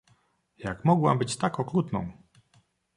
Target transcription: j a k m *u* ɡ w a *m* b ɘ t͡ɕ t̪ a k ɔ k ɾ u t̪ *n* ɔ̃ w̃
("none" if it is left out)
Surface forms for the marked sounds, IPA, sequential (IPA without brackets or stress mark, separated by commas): ɔ, m, n